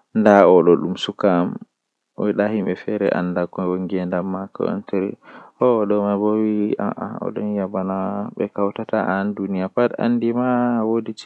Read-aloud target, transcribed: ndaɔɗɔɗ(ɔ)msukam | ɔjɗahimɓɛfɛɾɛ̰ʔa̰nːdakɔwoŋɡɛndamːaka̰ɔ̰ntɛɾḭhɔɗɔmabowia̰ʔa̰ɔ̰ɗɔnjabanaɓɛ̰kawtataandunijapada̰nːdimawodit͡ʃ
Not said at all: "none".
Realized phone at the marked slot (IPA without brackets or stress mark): u